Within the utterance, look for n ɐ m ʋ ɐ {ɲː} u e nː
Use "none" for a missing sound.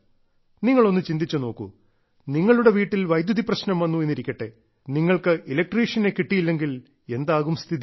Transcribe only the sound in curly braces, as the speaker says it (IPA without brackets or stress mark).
nː